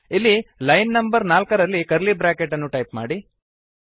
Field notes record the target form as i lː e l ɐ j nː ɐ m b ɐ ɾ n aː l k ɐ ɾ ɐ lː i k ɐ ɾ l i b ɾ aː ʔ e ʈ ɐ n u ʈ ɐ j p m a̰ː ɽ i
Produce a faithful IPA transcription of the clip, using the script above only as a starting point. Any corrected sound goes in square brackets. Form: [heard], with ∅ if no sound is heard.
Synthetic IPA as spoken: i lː [i] l ɐ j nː ɐ m b ɐ ɾ n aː l k ɐ ɾ ɐ lː i k ɐ ɾ l i b ɾ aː [k] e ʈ ɐ [nː] u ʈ ɐ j p m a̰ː ɽ i

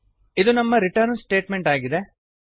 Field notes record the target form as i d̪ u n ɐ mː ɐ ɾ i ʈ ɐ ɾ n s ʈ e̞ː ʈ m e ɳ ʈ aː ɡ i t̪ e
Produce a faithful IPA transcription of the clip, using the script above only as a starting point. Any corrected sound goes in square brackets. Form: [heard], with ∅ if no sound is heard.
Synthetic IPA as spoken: i d̪ u n ɐ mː ɐ ɾ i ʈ ɐ ɾ n s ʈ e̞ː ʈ m e ɳ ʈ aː ɡ i [d̪] e

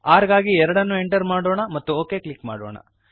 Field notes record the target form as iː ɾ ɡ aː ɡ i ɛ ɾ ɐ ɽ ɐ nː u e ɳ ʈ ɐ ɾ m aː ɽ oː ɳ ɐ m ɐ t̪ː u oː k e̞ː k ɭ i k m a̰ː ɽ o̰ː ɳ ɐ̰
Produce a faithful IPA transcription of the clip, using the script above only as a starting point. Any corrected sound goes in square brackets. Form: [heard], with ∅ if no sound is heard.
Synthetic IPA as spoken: [aː] ɾ ɡ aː ɡ i ɛ ɾ ɐ ɽ ɐ nː u e ɳ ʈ ɐ ɾ m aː ɽ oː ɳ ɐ m ɐ t̪ː u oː k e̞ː k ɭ i k m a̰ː ɽ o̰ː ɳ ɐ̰

